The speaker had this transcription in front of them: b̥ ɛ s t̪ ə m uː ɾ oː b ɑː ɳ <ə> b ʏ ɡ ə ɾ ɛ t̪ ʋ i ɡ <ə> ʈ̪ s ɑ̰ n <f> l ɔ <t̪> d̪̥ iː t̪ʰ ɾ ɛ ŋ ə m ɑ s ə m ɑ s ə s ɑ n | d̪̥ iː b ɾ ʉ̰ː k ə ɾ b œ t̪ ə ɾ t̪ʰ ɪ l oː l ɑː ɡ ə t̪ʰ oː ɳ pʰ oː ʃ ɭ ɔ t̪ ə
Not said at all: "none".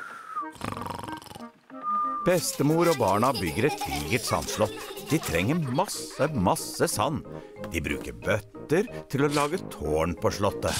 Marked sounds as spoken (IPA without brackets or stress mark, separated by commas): ɑ, ə, ʃ, t̪